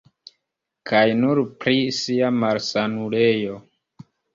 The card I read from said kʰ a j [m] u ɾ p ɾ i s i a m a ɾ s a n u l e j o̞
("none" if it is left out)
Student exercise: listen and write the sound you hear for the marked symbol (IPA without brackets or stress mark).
n